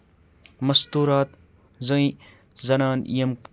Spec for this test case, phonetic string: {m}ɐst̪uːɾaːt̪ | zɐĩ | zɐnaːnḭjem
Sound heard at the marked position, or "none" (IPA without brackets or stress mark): m